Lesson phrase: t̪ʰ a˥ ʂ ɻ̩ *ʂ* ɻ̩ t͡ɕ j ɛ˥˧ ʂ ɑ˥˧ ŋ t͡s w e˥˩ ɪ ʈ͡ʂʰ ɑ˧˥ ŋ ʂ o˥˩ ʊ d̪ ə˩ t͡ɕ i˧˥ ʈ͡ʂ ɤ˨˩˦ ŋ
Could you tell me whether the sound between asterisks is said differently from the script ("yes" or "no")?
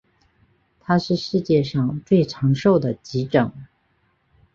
no